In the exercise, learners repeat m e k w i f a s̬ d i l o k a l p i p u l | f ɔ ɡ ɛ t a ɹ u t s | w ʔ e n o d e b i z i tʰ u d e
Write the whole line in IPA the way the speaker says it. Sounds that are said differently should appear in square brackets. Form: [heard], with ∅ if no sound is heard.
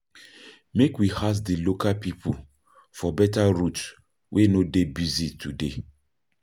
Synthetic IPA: m e k w i [h] a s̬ d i l o k a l p i p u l | f ɔ [b] ɛ t a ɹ u t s | w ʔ e n o d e b i z i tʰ u d e